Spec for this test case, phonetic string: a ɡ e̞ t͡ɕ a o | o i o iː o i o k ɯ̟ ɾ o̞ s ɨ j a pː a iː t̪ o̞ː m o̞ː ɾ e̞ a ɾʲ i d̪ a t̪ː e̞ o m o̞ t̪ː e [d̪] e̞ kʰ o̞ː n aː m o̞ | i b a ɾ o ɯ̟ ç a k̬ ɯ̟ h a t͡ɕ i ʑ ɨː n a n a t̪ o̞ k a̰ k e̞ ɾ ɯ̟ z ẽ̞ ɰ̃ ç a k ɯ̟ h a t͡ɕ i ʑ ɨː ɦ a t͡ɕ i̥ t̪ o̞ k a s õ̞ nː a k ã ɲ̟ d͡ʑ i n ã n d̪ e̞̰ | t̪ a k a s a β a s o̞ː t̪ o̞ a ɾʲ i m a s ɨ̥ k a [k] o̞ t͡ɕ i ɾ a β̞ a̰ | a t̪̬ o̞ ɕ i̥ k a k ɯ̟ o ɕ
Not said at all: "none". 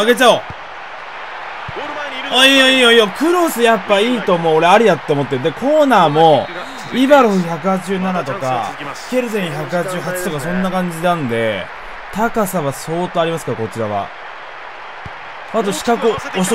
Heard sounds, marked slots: d̪, k

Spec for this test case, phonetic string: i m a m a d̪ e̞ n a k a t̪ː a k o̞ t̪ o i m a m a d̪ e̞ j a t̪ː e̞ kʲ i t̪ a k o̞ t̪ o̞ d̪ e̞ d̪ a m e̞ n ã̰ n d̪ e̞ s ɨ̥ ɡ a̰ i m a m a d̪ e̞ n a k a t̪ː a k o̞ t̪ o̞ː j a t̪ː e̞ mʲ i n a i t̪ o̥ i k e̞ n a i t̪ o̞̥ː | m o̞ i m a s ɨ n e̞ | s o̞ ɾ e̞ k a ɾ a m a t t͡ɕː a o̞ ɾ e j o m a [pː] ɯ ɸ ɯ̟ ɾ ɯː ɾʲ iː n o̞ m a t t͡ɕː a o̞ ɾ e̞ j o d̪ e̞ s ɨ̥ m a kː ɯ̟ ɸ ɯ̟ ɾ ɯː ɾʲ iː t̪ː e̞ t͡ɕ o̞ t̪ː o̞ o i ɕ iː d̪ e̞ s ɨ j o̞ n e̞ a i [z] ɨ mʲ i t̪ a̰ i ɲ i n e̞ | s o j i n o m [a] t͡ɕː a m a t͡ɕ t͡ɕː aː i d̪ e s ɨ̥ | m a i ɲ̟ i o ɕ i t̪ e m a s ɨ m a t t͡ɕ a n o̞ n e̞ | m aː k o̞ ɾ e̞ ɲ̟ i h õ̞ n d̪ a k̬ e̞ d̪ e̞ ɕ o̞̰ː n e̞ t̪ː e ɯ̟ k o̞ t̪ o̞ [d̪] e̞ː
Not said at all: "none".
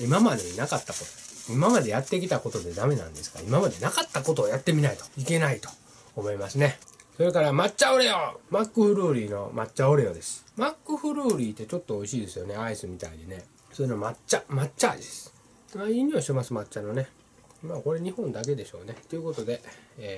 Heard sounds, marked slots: kː, s, a, d̪

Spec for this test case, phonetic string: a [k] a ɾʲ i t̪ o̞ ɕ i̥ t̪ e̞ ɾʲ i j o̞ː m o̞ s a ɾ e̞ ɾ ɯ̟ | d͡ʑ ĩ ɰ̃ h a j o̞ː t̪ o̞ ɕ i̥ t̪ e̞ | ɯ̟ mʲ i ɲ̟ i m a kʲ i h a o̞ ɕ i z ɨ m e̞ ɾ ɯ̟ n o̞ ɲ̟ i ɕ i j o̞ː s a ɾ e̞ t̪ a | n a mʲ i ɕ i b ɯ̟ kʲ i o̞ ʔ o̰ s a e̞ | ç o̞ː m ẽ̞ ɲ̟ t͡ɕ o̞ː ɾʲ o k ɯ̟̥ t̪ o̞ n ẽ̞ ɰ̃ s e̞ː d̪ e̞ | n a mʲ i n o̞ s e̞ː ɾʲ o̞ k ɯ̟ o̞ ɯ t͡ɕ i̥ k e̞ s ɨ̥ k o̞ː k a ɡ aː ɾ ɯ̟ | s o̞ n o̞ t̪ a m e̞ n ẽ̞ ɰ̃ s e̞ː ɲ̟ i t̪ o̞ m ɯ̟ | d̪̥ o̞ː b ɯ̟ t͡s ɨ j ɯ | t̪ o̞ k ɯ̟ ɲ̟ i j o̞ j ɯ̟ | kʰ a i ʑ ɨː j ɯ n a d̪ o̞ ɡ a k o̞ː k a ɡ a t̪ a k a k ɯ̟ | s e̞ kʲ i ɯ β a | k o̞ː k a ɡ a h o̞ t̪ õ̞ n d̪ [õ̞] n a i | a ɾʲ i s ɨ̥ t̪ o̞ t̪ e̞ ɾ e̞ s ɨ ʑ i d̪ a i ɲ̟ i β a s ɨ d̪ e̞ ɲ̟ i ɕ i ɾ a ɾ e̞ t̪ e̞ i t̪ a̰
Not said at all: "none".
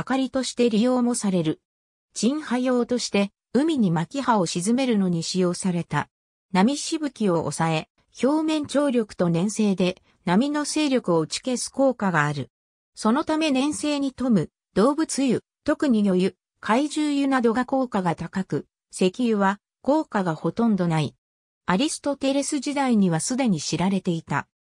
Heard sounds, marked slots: k, o̞

